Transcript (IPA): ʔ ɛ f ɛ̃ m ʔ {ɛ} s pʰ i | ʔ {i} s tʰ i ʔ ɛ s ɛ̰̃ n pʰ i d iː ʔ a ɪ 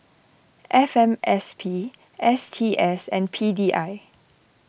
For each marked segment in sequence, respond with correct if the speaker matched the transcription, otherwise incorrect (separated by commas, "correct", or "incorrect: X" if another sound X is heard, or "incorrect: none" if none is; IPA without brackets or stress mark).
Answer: correct, incorrect: ɛ